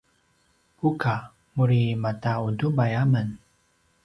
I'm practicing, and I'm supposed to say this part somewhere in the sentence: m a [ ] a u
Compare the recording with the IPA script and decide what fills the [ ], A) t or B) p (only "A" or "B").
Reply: A